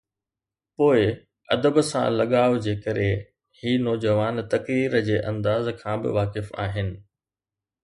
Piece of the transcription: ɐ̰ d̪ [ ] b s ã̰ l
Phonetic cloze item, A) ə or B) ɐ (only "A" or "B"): A